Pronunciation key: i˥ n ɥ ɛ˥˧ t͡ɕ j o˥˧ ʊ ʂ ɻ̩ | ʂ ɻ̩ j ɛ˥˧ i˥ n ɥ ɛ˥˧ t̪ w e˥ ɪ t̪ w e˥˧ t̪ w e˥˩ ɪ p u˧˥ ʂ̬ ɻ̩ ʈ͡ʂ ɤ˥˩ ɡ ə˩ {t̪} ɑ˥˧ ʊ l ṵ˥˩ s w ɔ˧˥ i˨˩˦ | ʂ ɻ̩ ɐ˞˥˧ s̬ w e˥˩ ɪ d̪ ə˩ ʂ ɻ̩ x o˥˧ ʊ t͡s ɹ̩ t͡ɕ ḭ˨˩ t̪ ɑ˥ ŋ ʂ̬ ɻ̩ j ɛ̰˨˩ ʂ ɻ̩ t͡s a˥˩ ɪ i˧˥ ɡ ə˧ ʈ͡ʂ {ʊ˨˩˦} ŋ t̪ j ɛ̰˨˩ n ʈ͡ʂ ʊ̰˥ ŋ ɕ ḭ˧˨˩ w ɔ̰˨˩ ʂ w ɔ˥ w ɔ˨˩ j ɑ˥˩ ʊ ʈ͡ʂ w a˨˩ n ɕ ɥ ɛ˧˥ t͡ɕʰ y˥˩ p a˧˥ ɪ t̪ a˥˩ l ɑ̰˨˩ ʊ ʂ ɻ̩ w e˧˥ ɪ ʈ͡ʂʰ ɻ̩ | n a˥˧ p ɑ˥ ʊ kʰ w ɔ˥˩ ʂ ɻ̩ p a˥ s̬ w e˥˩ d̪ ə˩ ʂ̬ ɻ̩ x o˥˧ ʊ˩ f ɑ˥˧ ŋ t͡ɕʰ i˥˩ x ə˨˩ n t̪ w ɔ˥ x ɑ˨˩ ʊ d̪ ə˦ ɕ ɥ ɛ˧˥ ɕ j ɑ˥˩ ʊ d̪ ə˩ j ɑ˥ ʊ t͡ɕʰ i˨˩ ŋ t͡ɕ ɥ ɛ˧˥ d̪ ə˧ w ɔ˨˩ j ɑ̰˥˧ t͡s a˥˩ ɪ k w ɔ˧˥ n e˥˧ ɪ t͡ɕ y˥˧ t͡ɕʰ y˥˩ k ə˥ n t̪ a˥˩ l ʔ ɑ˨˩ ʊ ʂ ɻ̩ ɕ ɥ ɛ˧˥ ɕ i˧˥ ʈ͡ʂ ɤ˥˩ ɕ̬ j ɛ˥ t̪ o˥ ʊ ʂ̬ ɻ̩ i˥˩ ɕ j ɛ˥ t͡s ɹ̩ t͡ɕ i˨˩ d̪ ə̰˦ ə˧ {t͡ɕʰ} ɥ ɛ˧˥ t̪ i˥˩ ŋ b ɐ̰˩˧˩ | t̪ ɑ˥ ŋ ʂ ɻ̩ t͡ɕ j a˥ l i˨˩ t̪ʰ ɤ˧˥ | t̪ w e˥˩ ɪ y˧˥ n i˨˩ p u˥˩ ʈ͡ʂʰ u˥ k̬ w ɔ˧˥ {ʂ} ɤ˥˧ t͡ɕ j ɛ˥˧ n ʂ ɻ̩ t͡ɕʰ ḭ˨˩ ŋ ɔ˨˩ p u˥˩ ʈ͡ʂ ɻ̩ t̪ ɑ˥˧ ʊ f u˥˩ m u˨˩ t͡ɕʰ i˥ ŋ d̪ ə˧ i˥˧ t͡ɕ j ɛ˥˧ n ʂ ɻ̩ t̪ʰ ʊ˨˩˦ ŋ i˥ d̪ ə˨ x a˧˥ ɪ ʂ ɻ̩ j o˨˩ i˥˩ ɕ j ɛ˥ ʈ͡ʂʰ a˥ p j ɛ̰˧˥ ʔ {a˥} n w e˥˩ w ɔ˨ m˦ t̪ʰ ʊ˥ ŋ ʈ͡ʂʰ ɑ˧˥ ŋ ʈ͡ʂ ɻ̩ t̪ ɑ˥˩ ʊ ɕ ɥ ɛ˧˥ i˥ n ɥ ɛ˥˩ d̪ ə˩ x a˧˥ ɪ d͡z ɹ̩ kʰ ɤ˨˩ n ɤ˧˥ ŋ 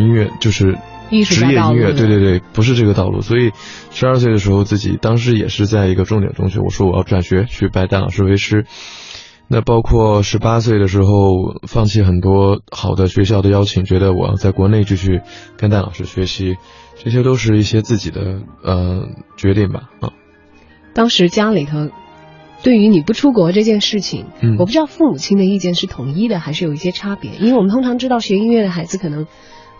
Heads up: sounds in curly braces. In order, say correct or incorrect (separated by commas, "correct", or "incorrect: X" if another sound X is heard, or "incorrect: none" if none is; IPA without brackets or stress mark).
correct, incorrect: ʊ˥˩, incorrect: t͡ɕ, incorrect: ʈ͡ʂ, incorrect: i˥